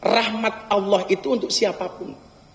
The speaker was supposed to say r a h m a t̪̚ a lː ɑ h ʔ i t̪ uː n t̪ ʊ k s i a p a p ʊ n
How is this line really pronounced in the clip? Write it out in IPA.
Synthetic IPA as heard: r a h m a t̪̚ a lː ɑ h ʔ i t̪ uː n t̪ ʊ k s i a p a p ʊ n